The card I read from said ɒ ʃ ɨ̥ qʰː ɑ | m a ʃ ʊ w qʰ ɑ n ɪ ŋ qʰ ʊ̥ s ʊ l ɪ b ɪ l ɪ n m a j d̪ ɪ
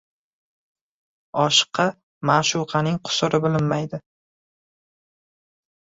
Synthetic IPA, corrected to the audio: ɒ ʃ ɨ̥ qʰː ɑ | m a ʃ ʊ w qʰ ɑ n ɪ ŋ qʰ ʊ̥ s ʊ ɾ ɪ b ɪ l ɪ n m a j d̪ ɪ